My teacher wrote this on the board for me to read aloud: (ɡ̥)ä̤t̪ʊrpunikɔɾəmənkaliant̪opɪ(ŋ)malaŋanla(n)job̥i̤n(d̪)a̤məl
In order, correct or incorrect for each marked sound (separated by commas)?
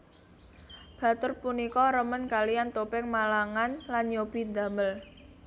incorrect, correct, correct, correct